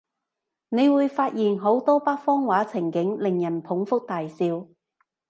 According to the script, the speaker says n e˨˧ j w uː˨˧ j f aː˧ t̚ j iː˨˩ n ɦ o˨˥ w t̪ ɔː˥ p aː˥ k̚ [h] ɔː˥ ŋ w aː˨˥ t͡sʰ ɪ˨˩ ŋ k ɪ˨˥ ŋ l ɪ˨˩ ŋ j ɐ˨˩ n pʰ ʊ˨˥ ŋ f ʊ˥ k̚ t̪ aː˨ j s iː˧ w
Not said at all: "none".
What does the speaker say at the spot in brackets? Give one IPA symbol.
f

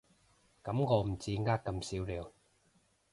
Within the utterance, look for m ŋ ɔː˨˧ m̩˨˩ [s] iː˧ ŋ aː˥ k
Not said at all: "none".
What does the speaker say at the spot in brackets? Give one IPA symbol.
t͡s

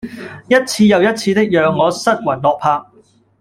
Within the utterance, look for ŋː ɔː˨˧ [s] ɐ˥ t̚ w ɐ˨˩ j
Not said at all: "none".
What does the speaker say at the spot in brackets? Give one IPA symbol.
s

